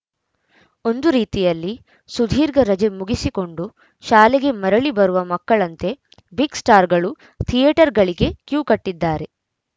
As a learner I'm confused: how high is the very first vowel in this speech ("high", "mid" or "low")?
mid